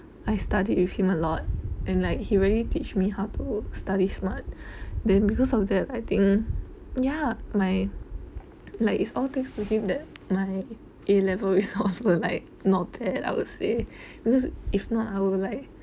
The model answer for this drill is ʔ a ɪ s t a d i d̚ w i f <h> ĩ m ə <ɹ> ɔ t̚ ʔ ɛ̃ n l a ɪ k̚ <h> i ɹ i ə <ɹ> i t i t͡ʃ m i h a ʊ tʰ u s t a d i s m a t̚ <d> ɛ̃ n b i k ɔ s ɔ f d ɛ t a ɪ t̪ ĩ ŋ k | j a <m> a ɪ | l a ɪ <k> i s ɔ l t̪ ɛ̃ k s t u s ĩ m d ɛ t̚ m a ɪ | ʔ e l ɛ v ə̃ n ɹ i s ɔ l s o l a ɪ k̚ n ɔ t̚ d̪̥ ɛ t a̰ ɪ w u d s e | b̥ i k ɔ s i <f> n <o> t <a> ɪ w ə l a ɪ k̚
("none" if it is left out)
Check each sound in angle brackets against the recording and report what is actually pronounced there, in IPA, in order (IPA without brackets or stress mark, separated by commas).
h, l, h, l, d, m, k, f, ɔ, a